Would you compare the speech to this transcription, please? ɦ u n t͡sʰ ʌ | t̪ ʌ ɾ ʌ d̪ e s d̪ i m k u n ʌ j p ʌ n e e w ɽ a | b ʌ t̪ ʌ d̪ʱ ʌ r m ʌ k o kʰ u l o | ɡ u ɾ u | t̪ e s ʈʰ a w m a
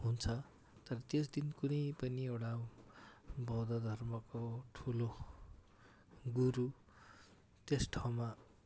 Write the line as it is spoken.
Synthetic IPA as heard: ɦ u n t͡sʰ ʌ | t̪ ʌ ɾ ʌ t̪ e s d̪ i n k u n ʌ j p ʌ n i e w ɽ a | b ʌ d̪ ʌ d̪ʱ ʌ r m ʌ k o ʈʰ u l o | ɡ u ɾ u | t̪ e s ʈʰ a w m a